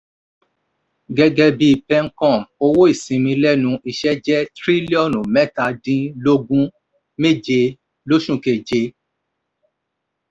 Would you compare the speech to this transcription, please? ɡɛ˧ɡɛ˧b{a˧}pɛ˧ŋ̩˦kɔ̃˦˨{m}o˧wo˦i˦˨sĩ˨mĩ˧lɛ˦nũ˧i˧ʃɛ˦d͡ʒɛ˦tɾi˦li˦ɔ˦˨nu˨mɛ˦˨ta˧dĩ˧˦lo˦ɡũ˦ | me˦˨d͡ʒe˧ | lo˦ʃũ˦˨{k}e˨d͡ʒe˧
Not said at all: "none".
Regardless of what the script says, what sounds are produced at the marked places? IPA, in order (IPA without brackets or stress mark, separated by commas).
i˧, m, k